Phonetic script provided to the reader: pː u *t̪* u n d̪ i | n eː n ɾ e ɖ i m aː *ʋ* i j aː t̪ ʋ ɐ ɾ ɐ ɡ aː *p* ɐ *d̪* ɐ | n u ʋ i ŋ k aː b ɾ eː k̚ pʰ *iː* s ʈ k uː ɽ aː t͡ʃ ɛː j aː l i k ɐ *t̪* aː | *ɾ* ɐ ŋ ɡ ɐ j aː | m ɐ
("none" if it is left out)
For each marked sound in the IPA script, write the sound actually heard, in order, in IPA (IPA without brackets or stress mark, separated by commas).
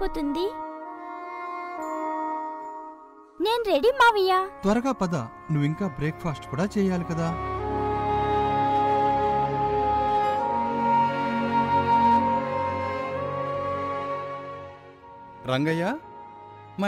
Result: t̪, ʋ, p, d̪, aː, d̪, ɾ